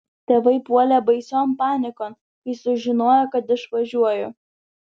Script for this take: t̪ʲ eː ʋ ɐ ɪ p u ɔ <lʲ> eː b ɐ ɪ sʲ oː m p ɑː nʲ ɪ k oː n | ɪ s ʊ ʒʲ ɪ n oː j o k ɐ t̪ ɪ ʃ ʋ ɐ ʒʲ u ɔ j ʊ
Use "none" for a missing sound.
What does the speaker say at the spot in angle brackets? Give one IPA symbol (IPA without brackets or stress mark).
lʲ